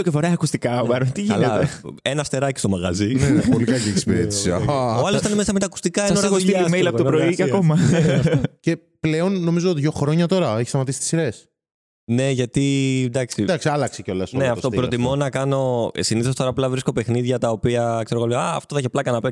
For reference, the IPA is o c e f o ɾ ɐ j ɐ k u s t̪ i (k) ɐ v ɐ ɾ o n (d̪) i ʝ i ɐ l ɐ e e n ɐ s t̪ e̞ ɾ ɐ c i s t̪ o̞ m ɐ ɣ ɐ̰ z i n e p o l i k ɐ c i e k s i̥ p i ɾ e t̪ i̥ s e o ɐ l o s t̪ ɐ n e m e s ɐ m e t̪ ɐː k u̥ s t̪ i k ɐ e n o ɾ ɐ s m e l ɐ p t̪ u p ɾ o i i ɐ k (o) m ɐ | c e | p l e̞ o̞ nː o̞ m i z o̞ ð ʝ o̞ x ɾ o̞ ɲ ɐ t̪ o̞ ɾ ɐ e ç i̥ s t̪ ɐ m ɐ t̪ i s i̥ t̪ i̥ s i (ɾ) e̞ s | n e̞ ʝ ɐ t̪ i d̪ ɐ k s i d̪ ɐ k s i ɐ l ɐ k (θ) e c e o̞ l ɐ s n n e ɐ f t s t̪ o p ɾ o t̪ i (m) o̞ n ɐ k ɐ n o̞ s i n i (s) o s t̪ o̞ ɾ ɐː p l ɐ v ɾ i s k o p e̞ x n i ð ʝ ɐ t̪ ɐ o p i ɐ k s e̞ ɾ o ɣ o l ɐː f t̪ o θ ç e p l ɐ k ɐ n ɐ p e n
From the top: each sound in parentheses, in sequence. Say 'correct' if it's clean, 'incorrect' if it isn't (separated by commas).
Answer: correct, incorrect, correct, correct, incorrect, correct, incorrect